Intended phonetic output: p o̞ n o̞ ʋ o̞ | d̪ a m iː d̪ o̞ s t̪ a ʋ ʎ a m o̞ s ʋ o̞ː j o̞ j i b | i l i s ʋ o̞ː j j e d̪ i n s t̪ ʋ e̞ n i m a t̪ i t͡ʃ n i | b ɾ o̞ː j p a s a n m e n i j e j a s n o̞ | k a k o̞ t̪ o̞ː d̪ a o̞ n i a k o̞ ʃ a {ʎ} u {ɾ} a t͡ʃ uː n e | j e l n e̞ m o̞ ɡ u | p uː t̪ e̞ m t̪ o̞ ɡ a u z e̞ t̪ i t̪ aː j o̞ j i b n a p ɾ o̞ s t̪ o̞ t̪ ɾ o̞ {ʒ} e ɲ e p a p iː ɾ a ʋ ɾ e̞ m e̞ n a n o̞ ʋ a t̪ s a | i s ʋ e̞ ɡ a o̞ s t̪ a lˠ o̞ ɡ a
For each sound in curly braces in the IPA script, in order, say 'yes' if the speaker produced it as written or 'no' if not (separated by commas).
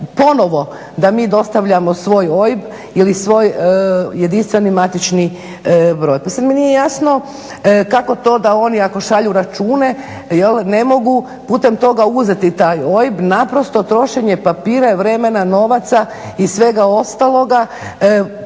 yes, yes, no